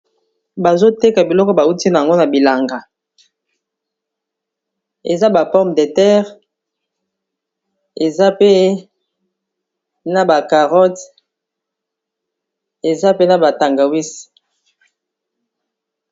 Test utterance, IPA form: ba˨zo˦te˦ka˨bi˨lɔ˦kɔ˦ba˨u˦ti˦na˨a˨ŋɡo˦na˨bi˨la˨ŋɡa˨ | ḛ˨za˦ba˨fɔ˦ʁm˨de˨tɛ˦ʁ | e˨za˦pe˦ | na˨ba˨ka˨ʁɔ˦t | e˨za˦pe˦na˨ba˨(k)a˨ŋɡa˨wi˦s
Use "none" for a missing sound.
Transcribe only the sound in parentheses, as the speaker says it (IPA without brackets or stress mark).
t